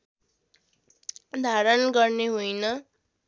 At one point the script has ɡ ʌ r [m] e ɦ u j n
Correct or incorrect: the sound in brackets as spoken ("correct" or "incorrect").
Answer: incorrect